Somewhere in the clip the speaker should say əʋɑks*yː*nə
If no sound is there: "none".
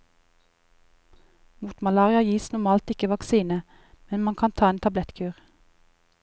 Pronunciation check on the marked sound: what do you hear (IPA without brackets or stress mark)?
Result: iː